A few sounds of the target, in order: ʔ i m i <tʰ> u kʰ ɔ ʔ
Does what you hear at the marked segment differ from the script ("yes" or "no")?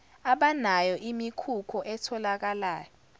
yes